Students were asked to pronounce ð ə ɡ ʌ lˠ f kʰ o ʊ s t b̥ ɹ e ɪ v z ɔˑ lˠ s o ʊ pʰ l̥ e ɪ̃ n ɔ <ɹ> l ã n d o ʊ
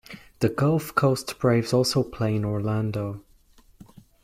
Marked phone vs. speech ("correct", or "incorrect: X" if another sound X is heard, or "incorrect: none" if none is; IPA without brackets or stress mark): correct